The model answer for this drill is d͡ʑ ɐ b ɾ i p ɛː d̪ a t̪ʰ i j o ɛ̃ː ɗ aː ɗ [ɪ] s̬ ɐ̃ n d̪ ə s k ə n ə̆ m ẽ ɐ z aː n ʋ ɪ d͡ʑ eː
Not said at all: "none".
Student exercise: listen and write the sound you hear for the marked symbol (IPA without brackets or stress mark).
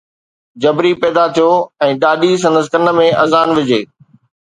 i